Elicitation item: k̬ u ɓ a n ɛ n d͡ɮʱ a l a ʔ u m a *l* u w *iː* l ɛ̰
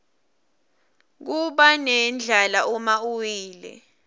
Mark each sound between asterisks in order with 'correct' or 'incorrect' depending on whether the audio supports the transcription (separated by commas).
incorrect, correct